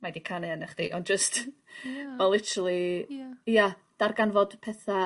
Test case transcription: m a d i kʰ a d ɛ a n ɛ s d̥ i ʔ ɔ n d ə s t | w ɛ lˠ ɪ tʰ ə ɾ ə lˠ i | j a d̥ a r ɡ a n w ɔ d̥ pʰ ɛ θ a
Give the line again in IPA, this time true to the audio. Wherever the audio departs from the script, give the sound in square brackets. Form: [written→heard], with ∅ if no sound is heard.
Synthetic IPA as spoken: m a d i kʰ a [d→n] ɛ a n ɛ [s→χ] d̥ i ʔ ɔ n [d→d͡ʒ] ə s t | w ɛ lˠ ɪ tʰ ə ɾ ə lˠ i | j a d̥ a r ɡ a n [w→v] ɔ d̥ pʰ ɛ θ a